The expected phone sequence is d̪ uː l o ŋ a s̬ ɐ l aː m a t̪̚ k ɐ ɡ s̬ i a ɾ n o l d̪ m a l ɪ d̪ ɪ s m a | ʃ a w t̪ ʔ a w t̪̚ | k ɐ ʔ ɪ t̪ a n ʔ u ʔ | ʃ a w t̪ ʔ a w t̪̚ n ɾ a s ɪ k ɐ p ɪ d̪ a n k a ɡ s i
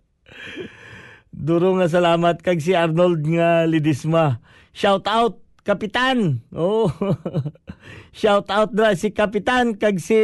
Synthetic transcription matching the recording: d̪ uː ɾ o ŋ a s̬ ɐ l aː m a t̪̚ k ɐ ɡ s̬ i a ɾ n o l d̪ ŋ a l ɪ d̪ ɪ s m a | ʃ a w t̪ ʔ a w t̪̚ | k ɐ p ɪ t̪ a n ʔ o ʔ | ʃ a w t̪ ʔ a w t̪̚ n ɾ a s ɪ k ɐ p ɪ t̪ a n k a ɡ s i